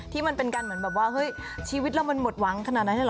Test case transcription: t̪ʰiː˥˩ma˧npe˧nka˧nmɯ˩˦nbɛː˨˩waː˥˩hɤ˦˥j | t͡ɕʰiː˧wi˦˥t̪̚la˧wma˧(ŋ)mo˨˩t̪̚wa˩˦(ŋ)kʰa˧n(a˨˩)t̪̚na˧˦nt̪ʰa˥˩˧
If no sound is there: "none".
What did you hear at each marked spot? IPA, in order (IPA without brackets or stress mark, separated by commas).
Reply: n, ŋ, a˨˩